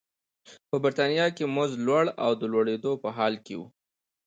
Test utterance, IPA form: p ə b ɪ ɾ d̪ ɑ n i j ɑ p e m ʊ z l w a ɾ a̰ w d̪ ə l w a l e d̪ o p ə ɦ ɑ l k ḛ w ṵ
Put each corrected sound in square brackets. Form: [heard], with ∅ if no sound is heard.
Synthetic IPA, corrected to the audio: p ə b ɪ ɾ [t̪] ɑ n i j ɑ [k] e m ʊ z l w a [ɽ] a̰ w d̪ ə l w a [ɽ] e d̪ o p ə ɦ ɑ l k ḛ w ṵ